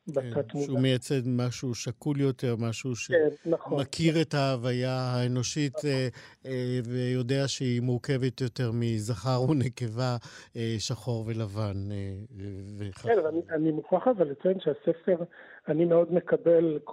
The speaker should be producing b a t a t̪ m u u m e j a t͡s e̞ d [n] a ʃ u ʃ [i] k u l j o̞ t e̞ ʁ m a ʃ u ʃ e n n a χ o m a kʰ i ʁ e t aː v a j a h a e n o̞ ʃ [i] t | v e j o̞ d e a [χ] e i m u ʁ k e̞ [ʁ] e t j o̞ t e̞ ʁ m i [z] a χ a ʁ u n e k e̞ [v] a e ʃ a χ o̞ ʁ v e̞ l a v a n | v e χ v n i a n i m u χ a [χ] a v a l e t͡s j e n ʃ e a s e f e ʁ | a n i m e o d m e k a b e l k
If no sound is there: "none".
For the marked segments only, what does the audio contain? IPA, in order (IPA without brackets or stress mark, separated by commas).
m, a, i, ʃ, v, z, v, χ